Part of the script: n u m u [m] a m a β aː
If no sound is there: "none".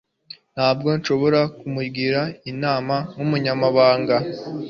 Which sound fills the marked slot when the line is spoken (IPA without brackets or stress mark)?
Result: ɲ